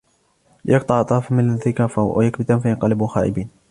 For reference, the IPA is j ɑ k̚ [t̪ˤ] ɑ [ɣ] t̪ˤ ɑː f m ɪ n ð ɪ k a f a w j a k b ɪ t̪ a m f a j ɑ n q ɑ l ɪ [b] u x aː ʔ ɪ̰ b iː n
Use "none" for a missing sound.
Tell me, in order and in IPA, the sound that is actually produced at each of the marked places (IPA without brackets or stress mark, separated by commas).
t̪ˤ, ʕ, b